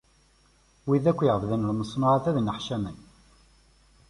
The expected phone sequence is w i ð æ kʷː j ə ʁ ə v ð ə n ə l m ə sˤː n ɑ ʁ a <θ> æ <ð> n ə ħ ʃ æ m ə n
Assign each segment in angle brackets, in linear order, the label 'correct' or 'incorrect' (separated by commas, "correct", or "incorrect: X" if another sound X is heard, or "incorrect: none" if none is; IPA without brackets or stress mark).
correct, correct